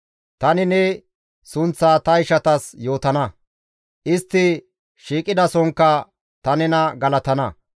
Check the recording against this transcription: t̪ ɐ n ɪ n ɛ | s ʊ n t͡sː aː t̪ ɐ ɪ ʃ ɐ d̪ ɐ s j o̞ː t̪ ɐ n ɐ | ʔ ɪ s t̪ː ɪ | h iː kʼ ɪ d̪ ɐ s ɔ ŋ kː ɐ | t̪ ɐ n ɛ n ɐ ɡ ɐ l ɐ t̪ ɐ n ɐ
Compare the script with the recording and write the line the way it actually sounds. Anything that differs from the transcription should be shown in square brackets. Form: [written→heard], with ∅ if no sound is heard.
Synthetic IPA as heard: t̪ ɐ n ɪ n ɛ | s ʊ n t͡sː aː t̪ ɐ ɪ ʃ ɐ [d̪→t̪] ɐ s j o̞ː t̪ ɐ n ɐ | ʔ ɪ s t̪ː ɪ | [h→ʃ] iː kʼ ɪ d̪ ɐ s ɔ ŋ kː ɐ | t̪ ɐ n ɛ n ɐ ɡ ɐ l ɐ t̪ ɐ n ɐ